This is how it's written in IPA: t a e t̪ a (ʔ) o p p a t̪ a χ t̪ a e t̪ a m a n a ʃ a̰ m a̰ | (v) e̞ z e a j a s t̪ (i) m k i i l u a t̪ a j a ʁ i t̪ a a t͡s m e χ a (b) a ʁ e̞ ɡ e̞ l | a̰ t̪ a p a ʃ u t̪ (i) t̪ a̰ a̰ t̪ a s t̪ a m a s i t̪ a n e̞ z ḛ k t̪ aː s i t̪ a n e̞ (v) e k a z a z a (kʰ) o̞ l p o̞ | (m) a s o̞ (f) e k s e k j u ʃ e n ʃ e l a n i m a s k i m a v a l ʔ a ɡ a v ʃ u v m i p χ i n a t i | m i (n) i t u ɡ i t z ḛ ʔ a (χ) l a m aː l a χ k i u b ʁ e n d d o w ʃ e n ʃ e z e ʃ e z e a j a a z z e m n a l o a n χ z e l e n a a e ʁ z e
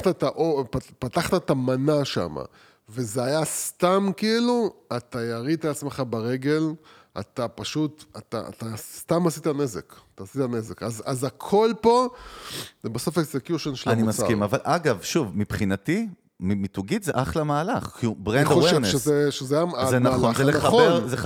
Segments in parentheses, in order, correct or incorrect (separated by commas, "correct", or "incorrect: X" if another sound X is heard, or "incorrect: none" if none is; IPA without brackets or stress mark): correct, correct, incorrect: a, correct, incorrect: a, incorrect: z, correct, incorrect: b, correct, incorrect: m, correct